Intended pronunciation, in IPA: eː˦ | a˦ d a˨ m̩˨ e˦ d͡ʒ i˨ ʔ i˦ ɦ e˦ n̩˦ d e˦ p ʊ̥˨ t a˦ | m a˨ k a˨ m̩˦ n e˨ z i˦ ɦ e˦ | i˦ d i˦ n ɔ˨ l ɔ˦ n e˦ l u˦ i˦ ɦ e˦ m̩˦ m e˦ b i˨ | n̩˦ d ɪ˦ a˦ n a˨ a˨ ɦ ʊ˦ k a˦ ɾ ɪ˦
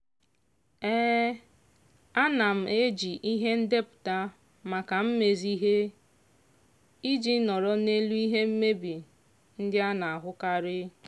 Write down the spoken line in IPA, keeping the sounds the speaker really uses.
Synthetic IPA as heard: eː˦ | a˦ n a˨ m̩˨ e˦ d͡ʒ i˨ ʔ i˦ ɦ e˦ n̩˦ d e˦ p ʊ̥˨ t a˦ | m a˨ k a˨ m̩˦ m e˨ z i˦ ɦ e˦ | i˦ d͡ʒ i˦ n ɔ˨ ɾ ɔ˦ n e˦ l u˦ i˦ ɦ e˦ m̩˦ m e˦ b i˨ | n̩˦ d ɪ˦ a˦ n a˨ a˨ ɦ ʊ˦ k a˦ ɾ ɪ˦